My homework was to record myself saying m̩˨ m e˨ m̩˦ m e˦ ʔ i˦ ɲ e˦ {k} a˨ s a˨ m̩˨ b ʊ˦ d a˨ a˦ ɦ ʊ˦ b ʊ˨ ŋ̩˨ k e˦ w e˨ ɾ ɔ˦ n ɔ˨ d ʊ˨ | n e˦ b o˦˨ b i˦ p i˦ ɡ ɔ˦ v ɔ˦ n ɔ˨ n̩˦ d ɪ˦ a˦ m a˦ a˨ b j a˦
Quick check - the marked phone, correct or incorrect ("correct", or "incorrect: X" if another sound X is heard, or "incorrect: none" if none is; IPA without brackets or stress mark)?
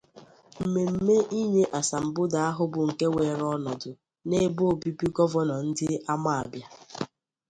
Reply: incorrect: ʔ